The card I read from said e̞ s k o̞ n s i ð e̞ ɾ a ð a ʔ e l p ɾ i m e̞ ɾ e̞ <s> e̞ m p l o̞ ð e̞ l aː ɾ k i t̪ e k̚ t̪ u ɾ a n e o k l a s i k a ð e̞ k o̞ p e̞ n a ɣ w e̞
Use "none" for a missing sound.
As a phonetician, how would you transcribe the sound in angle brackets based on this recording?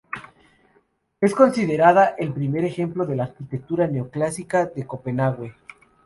x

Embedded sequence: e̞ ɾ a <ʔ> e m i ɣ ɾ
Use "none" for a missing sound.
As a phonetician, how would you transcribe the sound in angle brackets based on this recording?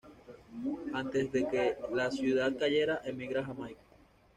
ʔ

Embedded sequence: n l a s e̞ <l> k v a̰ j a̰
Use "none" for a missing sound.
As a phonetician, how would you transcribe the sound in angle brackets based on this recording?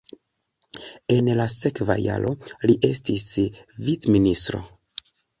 none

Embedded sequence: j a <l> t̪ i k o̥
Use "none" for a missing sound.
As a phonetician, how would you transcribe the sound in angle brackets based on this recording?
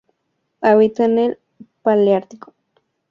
ɾ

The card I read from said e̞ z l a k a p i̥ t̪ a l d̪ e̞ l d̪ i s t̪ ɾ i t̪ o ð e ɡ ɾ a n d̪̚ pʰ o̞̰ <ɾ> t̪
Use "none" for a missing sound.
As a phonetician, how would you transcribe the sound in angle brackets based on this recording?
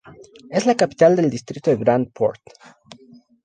ɾ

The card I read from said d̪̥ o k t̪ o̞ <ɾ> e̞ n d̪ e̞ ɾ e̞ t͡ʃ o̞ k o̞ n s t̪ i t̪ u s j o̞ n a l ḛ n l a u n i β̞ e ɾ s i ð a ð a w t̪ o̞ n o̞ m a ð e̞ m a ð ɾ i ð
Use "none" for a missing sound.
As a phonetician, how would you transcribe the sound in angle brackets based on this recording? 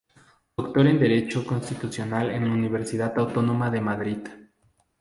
ɾ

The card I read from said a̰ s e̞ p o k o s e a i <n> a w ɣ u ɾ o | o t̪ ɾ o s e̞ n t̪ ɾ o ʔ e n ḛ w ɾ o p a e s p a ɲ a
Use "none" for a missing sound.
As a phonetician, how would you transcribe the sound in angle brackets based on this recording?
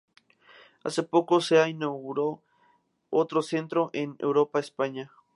n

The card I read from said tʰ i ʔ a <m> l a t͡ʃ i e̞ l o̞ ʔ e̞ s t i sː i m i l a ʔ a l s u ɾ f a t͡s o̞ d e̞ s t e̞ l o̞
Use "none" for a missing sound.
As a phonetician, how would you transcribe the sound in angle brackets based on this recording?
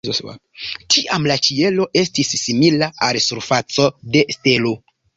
m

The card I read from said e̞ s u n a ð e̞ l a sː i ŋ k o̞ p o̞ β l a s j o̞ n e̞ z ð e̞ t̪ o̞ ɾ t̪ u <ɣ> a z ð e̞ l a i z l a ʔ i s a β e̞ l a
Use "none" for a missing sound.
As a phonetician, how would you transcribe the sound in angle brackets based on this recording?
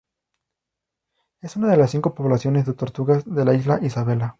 ɣ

